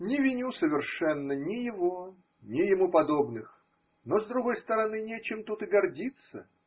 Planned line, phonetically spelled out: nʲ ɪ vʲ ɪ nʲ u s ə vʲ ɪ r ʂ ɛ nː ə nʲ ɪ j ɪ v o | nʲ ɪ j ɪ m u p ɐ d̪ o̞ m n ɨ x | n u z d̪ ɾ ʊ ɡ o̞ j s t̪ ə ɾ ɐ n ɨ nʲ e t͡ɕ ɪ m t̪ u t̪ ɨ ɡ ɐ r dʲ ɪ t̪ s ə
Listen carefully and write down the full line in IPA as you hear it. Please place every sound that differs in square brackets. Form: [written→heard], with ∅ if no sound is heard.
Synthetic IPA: nʲ ɪ vʲ ɪ nʲ u s ə vʲ ɪ r ʂ ɛ nː ə nʲ ɪ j ɪ v o | nʲ ɪ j ɪ m u p ɐ d̪ o̞ [m→b] n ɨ x | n [u→o] z d̪ ɾ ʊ ɡ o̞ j s t̪ ə ɾ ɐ n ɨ nʲ e t͡ɕ ɪ m t̪ u t̪ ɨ ɡ ɐ r dʲ [ɪ→i] t̪ s ə